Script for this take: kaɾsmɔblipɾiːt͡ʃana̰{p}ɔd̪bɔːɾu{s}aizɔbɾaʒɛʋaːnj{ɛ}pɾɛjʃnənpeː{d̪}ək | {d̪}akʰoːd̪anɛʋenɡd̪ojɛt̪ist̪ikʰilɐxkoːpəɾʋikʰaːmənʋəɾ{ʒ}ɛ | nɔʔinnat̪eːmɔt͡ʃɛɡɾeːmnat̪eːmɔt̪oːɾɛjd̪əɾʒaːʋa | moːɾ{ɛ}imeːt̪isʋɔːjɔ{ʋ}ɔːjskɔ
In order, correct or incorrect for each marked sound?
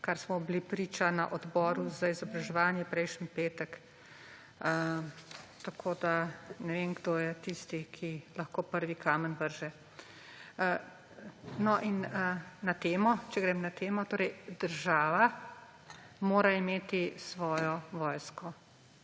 incorrect, incorrect, correct, incorrect, incorrect, correct, incorrect, correct

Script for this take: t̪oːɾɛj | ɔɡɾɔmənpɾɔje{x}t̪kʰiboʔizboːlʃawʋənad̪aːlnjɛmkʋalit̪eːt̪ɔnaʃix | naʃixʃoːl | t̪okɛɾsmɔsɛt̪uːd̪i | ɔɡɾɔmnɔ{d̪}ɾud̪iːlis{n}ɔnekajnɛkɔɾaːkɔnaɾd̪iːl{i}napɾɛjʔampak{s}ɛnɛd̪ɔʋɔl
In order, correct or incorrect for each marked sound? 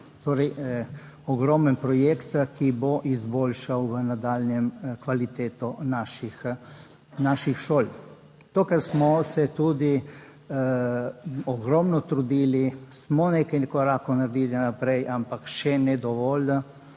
incorrect, incorrect, incorrect, correct, incorrect

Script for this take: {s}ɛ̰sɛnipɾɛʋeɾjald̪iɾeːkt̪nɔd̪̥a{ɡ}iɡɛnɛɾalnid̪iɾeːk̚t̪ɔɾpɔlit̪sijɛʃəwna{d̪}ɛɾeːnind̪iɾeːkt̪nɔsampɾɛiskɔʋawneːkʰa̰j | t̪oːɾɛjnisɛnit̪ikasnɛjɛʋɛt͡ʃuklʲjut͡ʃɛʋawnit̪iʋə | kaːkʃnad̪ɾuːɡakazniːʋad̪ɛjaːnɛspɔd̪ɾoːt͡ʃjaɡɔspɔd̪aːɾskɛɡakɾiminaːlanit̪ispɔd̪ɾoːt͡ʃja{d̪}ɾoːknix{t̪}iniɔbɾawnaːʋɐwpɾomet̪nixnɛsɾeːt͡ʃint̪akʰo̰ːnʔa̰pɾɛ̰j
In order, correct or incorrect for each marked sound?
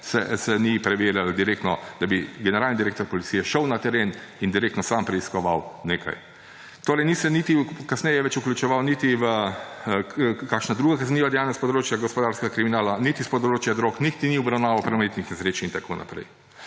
correct, incorrect, incorrect, correct, correct

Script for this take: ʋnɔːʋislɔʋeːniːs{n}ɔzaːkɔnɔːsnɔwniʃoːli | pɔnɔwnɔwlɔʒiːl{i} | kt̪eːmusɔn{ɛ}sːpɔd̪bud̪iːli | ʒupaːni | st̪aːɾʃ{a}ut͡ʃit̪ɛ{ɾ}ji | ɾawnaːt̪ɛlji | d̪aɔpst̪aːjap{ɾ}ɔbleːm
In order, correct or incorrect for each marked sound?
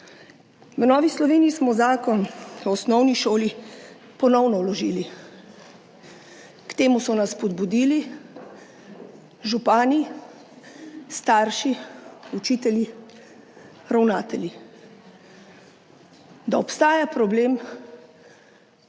incorrect, correct, incorrect, incorrect, incorrect, correct

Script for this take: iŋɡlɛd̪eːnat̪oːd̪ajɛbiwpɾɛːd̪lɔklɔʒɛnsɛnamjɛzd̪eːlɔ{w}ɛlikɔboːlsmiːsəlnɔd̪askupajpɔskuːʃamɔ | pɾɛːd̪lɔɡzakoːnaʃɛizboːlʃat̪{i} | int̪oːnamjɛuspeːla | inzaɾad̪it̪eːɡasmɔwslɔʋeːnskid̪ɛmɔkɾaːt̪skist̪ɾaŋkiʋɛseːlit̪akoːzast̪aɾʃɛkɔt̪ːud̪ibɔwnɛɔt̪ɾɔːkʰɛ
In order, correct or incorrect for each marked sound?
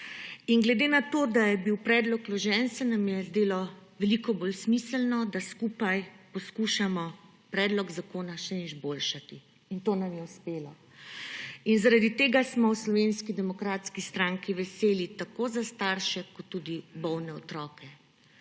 incorrect, correct

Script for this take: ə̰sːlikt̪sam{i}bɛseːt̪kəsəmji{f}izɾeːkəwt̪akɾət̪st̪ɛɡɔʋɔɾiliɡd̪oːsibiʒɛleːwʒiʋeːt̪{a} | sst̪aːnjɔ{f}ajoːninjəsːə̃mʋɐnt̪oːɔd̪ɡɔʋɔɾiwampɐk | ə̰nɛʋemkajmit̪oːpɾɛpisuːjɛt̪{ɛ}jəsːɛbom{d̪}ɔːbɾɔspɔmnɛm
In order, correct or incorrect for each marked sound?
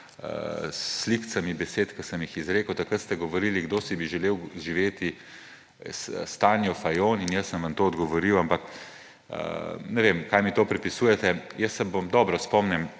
correct, incorrect, incorrect, correct, correct, correct

